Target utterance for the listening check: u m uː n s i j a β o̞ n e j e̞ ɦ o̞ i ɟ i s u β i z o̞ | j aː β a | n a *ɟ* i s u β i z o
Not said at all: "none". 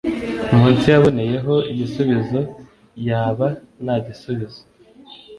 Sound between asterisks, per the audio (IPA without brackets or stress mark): ɟ